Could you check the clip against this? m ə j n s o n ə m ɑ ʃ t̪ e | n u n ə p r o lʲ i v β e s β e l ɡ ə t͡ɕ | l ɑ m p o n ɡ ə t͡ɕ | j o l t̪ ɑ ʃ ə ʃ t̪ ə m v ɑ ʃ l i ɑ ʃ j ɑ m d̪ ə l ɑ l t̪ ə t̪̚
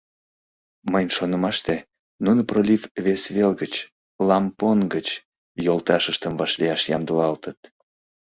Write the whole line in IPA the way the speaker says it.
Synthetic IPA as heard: m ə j n ʃ o n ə m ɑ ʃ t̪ e | n u n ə p r o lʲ i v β e s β e l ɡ ə t͡ɕ | l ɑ m p o n ɡ ə t͡ɕ | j o l t̪ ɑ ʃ ə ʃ t̪ ə m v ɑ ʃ l i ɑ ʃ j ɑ m d̪ ə l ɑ l t̪ ə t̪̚